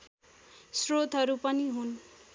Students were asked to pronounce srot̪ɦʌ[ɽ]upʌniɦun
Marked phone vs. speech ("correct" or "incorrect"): incorrect